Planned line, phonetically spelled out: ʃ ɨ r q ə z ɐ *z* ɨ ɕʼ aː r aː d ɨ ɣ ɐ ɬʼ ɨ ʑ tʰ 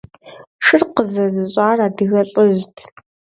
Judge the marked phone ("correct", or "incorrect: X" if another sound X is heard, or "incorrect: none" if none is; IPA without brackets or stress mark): correct